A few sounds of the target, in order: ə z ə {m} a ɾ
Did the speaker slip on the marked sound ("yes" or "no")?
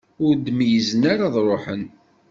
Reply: yes